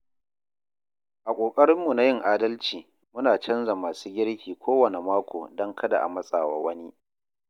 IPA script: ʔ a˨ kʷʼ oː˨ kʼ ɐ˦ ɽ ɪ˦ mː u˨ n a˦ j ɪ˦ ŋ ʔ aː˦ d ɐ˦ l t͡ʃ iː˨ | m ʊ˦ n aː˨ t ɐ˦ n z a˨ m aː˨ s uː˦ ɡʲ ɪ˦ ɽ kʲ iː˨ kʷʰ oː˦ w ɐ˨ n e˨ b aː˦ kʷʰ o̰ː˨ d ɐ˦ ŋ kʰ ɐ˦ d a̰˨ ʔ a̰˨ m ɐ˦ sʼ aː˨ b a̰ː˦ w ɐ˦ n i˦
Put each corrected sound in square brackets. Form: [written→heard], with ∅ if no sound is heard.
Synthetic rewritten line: ʔ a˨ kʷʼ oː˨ kʼ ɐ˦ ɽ ɪ˦ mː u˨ n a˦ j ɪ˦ ŋ ʔ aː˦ d ɐ˦ l t͡ʃ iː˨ | m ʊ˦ n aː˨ [t→t͡ʃ] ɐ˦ n z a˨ m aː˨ s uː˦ ɡʲ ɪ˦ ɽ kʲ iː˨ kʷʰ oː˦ w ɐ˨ n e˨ [b→m] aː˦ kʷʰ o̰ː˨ d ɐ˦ ŋ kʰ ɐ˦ d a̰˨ ʔ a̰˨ m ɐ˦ sʼ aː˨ [b→w] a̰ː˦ w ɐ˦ n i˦